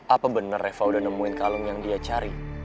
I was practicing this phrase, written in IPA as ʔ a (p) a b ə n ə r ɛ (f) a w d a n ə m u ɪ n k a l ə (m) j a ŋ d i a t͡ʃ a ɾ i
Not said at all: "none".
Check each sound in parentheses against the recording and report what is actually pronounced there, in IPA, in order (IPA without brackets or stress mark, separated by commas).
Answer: p, f, ŋ